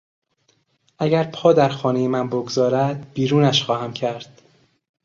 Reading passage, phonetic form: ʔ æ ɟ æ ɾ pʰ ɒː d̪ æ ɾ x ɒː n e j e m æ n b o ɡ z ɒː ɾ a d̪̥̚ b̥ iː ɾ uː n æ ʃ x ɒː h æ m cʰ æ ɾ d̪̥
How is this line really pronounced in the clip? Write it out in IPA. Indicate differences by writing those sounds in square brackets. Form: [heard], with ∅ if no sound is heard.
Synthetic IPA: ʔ æ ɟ æ ɾ pʰ ɒː d̪ æ ɾ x ɒː n e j e m æ n b o ɡ z ɒː ɾ [æ] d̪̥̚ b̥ iː ɾ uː n æ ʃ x ɒː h æ m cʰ æ ɾ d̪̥